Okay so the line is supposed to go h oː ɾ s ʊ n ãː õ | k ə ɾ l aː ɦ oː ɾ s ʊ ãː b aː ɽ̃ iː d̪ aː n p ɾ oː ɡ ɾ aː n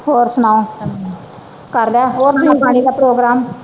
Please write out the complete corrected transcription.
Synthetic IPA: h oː ɾ s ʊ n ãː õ | k ə ɾ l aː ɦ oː ɾ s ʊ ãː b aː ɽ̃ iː d̪ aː p ɾ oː ɡ ɾ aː m